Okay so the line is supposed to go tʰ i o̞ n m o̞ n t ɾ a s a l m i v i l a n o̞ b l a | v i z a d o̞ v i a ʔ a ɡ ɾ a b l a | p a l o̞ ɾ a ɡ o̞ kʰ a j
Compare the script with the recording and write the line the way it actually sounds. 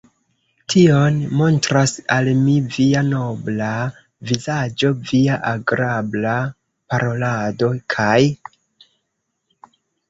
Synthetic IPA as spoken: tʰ i o̞ n m o̞ n t ɾ a s a l m i v i a n o̞ b l a | v i z a d͡ʒ o̞ v i a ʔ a ɡ ɾ a b l a | p a ɾ o̞ l a d o̞ kʰ a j